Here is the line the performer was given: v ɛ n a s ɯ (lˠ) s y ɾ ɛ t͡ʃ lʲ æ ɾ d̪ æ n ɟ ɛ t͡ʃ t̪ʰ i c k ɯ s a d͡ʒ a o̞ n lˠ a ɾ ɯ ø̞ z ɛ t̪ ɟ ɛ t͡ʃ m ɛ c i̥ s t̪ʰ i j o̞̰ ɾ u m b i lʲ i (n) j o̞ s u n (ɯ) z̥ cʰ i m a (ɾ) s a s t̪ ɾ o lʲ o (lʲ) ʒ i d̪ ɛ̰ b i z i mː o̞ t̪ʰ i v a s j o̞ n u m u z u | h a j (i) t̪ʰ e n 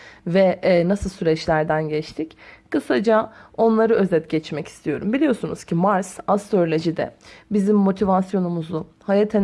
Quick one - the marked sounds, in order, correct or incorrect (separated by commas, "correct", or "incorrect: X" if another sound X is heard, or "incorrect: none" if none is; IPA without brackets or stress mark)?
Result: correct, incorrect: none, incorrect: u, correct, incorrect: none, incorrect: a